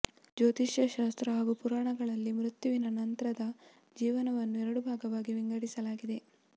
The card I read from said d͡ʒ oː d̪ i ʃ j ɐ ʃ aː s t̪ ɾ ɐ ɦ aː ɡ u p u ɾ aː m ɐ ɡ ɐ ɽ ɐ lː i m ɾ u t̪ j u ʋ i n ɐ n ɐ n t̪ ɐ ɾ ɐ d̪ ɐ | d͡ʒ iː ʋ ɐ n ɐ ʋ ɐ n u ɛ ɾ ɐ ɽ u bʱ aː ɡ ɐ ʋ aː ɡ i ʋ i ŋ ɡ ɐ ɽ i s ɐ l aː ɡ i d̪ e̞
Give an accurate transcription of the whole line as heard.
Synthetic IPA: d͡ʒ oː t̪ i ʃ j ɐ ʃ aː s t̪ ɾ ɐ ɦ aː ɡ u p u ɾ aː ɳ ɐ ɡ ɐ ɭ ɐ lː i m ɾ u t̪ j u ʋ i n ɐ n ɐ n t̪ ɐ ɾ ɐ d̪ ɐ | d͡ʒ iː ʋ ɐ n ɐ ʋ ɐ nː u ɛ ɾ ɐ ɽ u bʱ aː ɡ ɐ ʋ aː ɡ i ʋ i ŋ ɡ ɐ ɽ i s ɐ l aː ɡ i d̪ e̞